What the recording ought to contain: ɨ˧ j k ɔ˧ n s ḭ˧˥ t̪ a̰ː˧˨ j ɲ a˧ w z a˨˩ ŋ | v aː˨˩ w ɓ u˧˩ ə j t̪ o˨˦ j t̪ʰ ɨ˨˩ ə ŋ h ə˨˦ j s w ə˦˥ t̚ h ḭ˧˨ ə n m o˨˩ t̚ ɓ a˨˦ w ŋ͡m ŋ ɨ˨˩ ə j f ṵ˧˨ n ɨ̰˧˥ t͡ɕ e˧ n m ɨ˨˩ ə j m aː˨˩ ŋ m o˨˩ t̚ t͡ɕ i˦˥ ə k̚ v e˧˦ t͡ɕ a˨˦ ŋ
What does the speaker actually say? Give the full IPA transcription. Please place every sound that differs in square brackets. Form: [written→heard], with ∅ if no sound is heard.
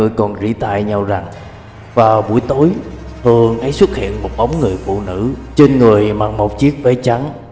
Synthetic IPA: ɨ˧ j k [ɔ˧→ɔ˨˩] n [s→z] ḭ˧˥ t̪ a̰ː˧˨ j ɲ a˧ w z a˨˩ ŋ | v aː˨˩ w ɓ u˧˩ ə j t̪ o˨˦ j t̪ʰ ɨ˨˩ ə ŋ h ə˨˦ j s w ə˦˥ t̚ h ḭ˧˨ ə n m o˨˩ t̚ ɓ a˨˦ w ŋ͡m ŋ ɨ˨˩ ə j f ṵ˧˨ n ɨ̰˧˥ t͡ɕ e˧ n [m→ŋ] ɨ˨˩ ə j m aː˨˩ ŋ m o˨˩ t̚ t͡ɕ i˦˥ ə k̚ v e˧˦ t͡ɕ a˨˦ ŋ